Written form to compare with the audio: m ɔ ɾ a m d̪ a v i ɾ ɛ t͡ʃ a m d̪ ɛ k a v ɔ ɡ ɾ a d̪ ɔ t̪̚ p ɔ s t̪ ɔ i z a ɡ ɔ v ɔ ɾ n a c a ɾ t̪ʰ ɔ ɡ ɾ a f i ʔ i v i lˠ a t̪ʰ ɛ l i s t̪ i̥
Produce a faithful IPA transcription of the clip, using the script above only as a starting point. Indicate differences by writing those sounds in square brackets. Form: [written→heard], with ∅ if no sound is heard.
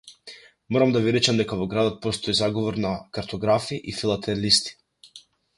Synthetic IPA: m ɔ ɾ a m d̪ a v i ɾ ɛ t͡ʃ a m d̪ ɛ k a v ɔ ɡ ɾ a d̪ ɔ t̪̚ p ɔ s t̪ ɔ i z a ɡ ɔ v ɔ ɾ n a [c→k] a ɾ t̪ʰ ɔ ɡ ɾ a f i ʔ i [v→f] i lˠ a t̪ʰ ɛ l i s t̪ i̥

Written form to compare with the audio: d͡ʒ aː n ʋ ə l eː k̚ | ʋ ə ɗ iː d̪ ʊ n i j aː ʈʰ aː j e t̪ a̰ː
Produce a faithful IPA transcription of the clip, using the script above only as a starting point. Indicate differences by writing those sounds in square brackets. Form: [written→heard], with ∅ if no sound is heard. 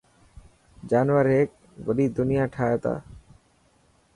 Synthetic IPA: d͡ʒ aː n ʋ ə [l→ɾ] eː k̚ | ʋ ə ɗ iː d̪ ʊ n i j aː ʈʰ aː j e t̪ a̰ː

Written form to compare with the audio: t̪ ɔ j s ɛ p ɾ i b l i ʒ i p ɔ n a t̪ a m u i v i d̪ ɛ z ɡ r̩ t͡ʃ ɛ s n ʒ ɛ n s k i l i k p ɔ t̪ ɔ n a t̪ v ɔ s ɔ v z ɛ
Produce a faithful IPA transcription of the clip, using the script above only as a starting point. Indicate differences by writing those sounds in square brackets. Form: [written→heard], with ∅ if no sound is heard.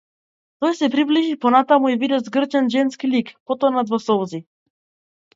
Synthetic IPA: t̪ ɔ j s ɛ p ɾ i b l i ʒ i p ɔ n a t̪ a m u i v i d̪ ɛ z ɡ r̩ t͡ʃ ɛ [s→∅] n ʒ ɛ n s k i l i k p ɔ t̪ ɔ n a [t̪→d̪] v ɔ s ɔ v z [ɛ→i]

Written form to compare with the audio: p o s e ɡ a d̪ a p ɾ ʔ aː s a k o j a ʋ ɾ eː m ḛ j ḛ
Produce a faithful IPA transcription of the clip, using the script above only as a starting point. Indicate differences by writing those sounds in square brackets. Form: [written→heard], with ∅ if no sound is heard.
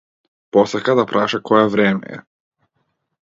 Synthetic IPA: p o s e [ɡ→k] a d̪ a p ɾ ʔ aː [s→ʃ] a k o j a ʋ ɾ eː m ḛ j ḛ

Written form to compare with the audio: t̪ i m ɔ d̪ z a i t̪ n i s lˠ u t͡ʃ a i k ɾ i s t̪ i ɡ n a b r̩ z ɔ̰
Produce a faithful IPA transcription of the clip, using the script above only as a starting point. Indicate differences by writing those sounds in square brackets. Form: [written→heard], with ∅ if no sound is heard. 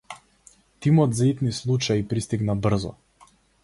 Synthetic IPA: t̪ i m ɔ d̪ z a i t̪ n i s lˠ u t͡ʃ a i [k→p] ɾ i s t̪ i ɡ n a b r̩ z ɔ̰

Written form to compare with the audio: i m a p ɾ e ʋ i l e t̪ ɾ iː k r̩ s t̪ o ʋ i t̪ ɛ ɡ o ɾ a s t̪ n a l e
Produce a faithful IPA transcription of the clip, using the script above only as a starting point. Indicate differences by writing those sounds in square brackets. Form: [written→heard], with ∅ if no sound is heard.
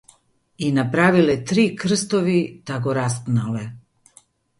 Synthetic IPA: i [m→n] a p ɾ [e→a] ʋ i l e t̪ ɾ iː k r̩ s t̪ o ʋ i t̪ [ɛ→a] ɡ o ɾ a s t̪ n a l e

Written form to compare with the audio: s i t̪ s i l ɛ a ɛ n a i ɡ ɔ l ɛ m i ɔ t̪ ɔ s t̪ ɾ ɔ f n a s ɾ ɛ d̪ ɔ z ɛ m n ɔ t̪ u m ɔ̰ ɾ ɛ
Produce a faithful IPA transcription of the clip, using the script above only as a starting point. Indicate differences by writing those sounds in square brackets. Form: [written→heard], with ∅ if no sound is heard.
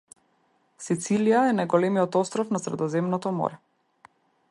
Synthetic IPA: s i t̪ s i l [ɛ→i] a ɛ n a [i→j] ɡ ɔ l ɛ m i ɔ t̪ ɔ s t̪ ɾ ɔ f n a s ɾ ɛ d̪ ɔ z ɛ m n ɔ t̪ [u→ɔ] m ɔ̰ ɾ ɛ

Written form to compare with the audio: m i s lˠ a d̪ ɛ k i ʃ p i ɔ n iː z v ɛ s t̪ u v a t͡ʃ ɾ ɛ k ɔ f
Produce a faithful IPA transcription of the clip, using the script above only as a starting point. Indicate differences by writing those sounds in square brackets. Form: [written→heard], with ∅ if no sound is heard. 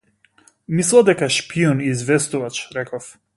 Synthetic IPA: m i s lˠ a d̪ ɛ k [i→a] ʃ p i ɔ n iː z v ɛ s t̪ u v a t͡ʃ ɾ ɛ k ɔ f

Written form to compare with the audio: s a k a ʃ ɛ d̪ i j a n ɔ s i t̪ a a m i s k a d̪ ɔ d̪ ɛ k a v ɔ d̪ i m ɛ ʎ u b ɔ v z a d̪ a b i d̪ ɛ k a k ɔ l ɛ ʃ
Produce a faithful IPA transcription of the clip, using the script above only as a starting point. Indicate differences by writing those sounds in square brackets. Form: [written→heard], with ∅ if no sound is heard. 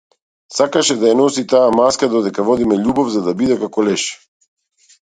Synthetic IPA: s a k a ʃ ɛ d̪ [i→a] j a n ɔ s i t̪ a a m [i→a] s k a d̪ ɔ d̪ ɛ k a v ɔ d̪ i m ɛ ʎ u b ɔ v z a d̪ a b i d̪ ɛ k a k ɔ l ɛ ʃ

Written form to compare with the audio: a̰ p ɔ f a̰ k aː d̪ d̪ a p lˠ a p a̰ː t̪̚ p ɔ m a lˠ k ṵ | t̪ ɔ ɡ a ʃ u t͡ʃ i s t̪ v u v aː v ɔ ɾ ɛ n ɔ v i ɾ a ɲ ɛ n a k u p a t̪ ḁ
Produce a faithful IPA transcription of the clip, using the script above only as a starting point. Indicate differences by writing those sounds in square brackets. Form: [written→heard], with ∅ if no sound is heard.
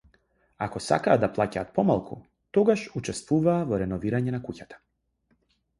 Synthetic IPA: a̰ [p→k] ɔ [f→s] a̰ k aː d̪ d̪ a p lˠ a [p→c] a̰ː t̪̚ p ɔ m a lˠ k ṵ | t̪ ɔ ɡ a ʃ u t͡ʃ [i→ɛ] s t̪ v u v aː v ɔ ɾ ɛ n ɔ v i ɾ a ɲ ɛ n a k u [p→c] a t̪ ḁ

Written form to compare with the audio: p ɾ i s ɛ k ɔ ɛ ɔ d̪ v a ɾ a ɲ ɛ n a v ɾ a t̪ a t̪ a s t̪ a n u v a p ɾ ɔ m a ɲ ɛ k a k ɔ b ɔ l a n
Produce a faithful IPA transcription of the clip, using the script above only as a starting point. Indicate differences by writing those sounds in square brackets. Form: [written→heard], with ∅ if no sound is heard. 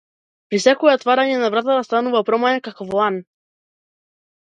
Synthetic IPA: p ɾ i s ɛ k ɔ ɛ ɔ [d̪→t̪] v a ɾ a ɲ ɛ n a v ɾ a t̪ a t̪ a s t̪ a n u v a p ɾ ɔ m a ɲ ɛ k a k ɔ [b→v] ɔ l a n

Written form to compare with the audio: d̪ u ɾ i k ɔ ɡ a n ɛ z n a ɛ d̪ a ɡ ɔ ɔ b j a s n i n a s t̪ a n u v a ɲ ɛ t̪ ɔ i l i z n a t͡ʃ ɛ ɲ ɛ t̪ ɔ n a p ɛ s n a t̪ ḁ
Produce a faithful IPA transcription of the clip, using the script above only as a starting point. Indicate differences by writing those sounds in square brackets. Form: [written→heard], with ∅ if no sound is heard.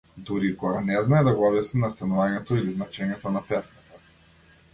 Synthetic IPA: d̪ u ɾ i k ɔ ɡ a n ɛ z n a ɛ d̪ a ɡ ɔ ɔ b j a s n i n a s t̪ a n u v a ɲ ɛ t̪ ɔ i l i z n a t͡ʃ ɛ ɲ ɛ t̪ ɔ n a p ɛ s n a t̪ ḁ

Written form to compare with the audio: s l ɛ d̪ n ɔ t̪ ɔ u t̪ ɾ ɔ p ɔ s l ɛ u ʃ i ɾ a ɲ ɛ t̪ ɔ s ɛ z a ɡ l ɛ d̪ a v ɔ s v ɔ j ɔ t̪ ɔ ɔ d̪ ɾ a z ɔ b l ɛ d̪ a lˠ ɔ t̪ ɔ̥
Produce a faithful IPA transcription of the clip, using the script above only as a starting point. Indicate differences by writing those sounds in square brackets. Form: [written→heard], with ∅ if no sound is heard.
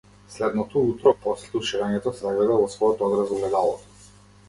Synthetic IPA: s l ɛ d̪ n ɔ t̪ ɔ u t̪ ɾ ɔ p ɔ s l ɛ u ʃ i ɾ a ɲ ɛ t̪ ɔ s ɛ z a ɡ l ɛ d̪ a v ɔ s v ɔ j ɔ t̪ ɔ ɔ d̪ ɾ a z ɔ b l ɛ d̪ a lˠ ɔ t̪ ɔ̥

